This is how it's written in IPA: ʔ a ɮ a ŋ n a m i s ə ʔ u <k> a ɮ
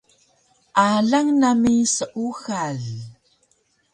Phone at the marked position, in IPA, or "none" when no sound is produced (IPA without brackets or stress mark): x